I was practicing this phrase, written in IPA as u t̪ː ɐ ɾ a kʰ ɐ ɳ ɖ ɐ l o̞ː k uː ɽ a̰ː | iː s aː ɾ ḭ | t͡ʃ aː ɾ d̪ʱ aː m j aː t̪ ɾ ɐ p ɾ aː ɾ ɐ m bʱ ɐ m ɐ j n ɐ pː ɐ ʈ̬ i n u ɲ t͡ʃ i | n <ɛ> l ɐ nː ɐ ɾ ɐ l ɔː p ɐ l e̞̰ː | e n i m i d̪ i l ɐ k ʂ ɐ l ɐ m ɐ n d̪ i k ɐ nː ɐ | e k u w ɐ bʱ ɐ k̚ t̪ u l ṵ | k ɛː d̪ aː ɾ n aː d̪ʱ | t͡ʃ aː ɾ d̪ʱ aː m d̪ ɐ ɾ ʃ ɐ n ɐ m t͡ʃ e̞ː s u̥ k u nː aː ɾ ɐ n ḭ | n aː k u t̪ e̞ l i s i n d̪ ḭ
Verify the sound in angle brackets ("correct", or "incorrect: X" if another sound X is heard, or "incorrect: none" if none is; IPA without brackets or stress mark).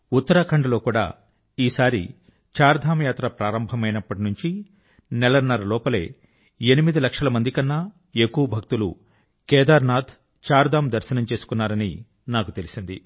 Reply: correct